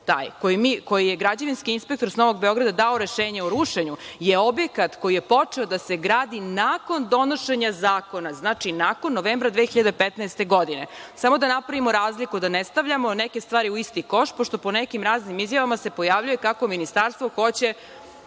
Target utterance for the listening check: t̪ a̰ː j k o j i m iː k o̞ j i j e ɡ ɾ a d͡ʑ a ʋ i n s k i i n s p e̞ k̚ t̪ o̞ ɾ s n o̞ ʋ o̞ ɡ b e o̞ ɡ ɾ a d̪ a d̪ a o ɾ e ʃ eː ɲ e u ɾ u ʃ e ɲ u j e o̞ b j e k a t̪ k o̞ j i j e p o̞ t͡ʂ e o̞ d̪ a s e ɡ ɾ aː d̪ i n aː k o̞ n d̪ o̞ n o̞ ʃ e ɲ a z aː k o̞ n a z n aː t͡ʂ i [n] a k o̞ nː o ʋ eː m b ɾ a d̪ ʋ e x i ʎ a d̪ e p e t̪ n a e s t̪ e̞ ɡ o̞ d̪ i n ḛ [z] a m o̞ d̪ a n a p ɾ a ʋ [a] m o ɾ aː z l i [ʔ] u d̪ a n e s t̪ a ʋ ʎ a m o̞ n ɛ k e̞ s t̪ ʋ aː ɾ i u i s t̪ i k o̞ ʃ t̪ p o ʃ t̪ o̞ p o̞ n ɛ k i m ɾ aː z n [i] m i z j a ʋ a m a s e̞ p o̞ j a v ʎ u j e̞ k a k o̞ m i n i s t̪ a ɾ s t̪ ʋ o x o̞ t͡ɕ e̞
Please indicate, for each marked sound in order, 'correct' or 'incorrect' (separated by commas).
correct, incorrect, incorrect, incorrect, correct